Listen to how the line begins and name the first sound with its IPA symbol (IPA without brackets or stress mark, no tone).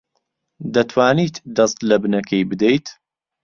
d̪